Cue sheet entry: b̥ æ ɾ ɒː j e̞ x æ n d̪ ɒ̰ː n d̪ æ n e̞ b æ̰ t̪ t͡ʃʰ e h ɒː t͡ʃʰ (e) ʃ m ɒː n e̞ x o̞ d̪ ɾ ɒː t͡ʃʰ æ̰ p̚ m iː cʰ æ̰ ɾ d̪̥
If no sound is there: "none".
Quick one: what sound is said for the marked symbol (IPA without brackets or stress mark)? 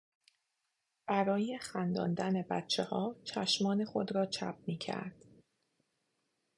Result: æ